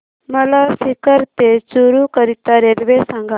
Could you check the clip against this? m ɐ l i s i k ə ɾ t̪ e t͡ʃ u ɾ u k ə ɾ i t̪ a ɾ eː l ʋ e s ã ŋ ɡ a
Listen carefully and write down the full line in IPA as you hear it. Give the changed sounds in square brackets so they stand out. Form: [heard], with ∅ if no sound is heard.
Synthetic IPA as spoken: m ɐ l [a] s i k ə ɾ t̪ e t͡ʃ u ɾ u k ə ɾ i t̪ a ɾ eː l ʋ e s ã ŋ ɡ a